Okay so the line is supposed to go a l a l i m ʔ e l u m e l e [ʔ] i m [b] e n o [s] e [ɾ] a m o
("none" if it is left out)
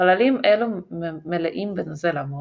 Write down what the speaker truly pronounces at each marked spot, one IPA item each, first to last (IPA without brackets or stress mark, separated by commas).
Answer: ʔ, b, z, l